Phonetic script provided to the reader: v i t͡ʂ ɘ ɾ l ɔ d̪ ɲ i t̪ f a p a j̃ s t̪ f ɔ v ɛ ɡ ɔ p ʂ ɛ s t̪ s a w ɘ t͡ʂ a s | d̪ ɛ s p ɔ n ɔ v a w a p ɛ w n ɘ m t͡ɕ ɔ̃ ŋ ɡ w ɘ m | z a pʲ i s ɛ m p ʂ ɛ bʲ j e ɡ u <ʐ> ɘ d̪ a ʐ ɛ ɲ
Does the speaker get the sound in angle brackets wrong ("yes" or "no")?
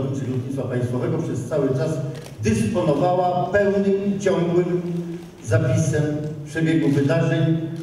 yes